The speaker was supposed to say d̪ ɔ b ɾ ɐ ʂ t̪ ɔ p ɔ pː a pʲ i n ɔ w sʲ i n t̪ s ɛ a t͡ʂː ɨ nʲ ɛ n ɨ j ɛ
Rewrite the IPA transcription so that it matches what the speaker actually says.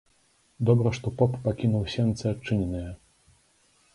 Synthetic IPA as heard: d̪ ɔ b ɾ ɐ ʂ t̪ ɔ p ɔ pː a kʲ i n u w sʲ ɛ n t̪ s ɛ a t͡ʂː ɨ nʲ ɛ n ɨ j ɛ